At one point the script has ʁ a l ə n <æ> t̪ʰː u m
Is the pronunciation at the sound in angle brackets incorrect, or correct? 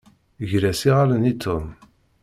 incorrect